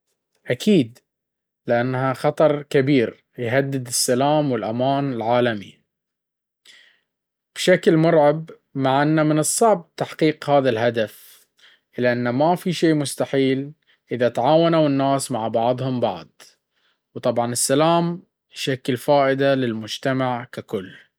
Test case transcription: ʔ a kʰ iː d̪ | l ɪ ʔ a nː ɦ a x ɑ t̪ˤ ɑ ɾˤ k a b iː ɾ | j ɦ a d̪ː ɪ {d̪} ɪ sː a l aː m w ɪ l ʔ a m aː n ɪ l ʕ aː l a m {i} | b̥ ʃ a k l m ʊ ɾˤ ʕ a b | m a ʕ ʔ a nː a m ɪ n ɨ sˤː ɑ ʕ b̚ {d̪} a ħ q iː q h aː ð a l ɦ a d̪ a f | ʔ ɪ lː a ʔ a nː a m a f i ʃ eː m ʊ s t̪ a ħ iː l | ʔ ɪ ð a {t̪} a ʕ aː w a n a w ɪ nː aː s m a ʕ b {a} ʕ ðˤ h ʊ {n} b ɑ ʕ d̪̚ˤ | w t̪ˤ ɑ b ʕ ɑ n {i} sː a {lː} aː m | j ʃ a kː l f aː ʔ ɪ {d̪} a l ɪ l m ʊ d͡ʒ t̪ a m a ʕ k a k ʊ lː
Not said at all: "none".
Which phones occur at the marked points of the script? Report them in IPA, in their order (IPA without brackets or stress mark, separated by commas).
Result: d̪, i, t̪, t̪, ɑ, m, ɪ, l, d̪